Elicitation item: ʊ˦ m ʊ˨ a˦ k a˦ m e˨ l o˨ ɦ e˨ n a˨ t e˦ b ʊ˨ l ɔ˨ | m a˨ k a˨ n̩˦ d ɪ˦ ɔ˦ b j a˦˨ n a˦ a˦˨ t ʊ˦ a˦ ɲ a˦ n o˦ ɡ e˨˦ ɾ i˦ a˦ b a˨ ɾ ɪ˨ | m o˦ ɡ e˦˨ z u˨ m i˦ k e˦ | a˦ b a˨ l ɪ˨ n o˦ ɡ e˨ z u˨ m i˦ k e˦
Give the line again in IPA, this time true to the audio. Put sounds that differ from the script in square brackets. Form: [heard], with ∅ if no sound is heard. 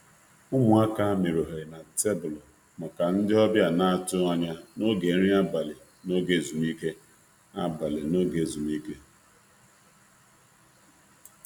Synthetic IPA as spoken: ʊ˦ m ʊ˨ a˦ k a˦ m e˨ [ɾ] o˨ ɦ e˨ n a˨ t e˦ b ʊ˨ l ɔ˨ | m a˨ k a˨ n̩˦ d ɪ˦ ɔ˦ b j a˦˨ n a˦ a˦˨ t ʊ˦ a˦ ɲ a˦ n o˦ ɡ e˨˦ ɾ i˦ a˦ b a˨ [l] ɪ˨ | [n] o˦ ɡ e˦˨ z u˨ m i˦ k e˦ | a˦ b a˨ l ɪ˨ n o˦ ɡ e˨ z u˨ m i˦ k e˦